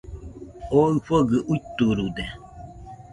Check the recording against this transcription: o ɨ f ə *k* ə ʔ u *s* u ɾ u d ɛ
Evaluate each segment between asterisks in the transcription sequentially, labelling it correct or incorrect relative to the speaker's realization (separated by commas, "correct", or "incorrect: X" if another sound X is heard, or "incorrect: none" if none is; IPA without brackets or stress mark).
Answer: incorrect: ɡ, incorrect: t